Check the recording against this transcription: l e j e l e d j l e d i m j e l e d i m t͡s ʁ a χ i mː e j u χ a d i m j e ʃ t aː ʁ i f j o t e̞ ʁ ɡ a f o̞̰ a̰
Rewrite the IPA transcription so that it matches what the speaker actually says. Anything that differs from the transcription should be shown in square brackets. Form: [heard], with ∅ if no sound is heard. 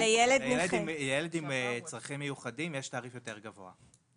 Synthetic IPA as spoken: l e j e l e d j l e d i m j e l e d i m t͡s ʁ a χ i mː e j u χ a d i m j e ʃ t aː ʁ i f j o t e̞ ʁ ɡ a [v] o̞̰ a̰